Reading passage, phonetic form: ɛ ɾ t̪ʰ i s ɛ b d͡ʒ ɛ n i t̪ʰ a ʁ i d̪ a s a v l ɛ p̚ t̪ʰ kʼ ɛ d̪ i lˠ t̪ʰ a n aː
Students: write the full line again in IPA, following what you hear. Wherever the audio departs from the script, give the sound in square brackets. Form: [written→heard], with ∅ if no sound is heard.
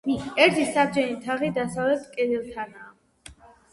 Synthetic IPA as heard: ɛ ɾ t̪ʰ i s [ɛ→a] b d͡ʒ ɛ n i t̪ʰ a ʁ i d̪ a s a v l ɛ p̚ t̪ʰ kʼ ɛ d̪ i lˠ t̪ʰ a n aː

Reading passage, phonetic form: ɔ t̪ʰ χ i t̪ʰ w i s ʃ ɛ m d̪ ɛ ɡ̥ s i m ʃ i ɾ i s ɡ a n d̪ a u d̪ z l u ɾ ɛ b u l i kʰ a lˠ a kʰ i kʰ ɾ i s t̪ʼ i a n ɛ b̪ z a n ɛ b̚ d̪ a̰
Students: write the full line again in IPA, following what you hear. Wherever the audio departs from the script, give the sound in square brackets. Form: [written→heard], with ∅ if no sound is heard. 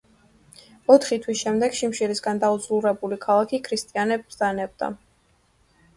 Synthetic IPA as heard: ɔ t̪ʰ χ i t̪ʰ w i s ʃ ɛ m d̪ ɛ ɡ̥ [s→ʃ] i m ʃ i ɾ i s ɡ a n d̪ a u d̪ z l u ɾ ɛ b u l i kʰ a lˠ a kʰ i kʰ ɾ i s t̪ʼ i a n ɛ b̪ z a n ɛ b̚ d̪ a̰

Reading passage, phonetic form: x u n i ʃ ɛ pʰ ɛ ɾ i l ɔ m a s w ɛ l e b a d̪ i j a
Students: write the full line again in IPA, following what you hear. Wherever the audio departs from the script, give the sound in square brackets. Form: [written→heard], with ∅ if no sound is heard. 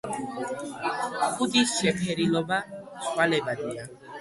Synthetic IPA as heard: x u [n→d] i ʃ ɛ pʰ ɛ ɾ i l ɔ [m→b] a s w [ɛ→a] l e b a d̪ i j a

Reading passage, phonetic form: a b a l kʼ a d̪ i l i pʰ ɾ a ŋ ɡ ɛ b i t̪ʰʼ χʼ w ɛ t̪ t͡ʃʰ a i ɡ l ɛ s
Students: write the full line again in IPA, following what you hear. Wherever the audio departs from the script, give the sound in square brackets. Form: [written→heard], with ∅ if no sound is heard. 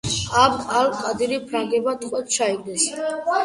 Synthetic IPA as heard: a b a l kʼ a d̪ i [l→ɾ] i pʰ ɾ a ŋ ɡ ɛ b [i→a] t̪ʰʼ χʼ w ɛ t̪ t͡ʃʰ a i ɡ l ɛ s

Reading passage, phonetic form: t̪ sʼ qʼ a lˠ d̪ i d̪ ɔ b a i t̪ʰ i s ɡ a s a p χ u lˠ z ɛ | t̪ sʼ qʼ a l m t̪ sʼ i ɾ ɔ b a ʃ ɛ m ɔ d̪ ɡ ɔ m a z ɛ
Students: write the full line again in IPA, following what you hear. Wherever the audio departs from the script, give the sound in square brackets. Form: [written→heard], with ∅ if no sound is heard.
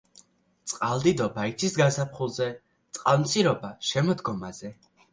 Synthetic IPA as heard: t̪ sʼ qʼ a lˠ d̪ i d̪ ɔ b a i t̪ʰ i s ɡ a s a p χ u lˠ z ɛ | t̪ sʼ qʼ a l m t̪ sʼ i ɾ ɔ b a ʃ ɛ m ɔ d̪ ɡ ɔ m a z ɛ

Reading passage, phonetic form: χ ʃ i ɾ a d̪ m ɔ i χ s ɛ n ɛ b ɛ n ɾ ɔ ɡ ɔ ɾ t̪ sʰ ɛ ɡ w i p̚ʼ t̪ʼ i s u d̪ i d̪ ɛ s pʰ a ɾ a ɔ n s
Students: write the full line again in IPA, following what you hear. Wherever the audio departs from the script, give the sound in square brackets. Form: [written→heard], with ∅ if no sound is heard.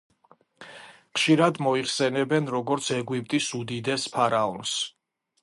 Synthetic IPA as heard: χ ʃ i ɾ a d̪ m ɔ i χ s ɛ n ɛ b ɛ n ɾ ɔ ɡ ɔ ɾ t̪ sʰ ɛ ɡ w i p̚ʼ t̪ʼ i s u d̪ i d̪ ɛ s pʰ a ɾ a ɔ n s

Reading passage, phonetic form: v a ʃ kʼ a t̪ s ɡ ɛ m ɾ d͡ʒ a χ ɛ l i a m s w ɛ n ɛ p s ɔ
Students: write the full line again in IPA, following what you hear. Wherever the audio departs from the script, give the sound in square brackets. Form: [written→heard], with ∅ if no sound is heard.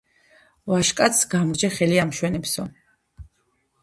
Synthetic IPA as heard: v a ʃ kʼ a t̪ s ɡ [ɛ→a] m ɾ d͡ʒ [a→ɛ] χ ɛ l i a m [s→ʃ] w ɛ n ɛ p s ɔ

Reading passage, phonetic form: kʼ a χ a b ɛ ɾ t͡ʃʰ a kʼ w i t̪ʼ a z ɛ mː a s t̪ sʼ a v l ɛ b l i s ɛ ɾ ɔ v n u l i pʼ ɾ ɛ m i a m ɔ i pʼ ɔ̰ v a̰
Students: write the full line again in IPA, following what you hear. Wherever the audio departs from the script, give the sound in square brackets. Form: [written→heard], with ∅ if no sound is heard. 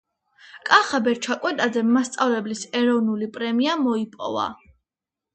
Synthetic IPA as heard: kʼ a χ a b ɛ ɾ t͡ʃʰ a kʼ w [i→ɛ] t̪ʼ a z ɛ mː a s t̪ sʼ a v l ɛ b l i s ɛ ɾ ɔ v n u l i pʼ ɾ ɛ m i a m ɔ i pʼ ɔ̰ v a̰

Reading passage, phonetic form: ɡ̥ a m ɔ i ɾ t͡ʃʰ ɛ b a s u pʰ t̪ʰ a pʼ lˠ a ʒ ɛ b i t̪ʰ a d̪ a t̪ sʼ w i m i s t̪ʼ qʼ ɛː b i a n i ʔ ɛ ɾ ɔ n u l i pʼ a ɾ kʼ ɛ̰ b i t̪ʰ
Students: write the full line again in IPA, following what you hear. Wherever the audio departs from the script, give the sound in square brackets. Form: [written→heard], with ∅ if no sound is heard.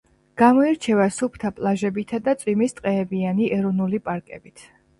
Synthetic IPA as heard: ɡ̥ a m ɔ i ɾ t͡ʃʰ ɛ [b→v] a s u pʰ t̪ʰ a pʼ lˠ a ʒ ɛ b i t̪ʰ a d̪ a t̪ sʼ w i m i s t̪ʼ qʼ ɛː b i a n i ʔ ɛ ɾ ɔ n u l i pʼ a ɾ kʼ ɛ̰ b i t̪ʰ

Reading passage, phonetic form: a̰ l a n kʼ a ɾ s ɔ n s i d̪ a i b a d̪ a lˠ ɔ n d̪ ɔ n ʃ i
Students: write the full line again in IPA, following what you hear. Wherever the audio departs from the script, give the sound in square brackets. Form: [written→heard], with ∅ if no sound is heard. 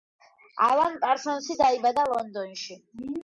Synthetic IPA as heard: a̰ l a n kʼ a ɾ s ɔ n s i d̪ a i b a d̪ a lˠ ɔ n d̪ ɔ n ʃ i

